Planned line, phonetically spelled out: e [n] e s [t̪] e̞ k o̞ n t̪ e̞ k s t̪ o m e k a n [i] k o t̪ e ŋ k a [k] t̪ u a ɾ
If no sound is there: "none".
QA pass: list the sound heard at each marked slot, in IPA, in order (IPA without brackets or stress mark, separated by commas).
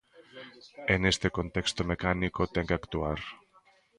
n, t̪, i, k